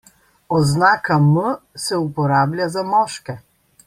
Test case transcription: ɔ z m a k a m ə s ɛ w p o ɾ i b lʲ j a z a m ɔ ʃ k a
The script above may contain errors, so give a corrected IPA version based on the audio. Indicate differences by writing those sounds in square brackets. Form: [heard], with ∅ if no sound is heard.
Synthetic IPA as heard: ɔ z [n] a k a m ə s ɛ [u] p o ɾ [a] b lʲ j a z a m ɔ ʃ k [ɛ]